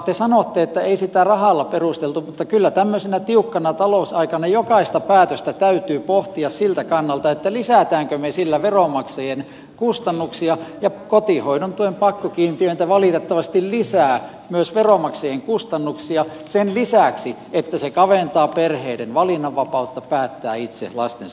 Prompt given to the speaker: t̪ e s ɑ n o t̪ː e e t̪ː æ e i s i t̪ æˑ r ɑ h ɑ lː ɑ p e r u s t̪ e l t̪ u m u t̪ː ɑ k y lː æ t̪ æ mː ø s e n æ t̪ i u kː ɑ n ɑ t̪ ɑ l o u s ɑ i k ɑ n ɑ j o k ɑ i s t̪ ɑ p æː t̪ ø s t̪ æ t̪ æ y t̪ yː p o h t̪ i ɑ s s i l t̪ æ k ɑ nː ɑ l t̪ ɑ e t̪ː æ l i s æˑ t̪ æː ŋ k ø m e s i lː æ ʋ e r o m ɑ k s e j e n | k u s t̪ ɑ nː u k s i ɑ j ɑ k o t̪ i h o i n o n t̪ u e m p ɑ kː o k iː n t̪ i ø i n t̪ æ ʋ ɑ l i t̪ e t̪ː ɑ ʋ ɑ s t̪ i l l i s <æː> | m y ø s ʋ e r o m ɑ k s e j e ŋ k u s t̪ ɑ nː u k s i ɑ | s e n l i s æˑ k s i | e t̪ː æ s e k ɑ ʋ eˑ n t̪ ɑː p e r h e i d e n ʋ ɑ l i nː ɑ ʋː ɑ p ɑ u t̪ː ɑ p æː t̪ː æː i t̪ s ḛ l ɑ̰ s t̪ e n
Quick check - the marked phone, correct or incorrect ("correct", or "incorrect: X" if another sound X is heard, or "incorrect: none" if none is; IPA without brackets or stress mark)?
correct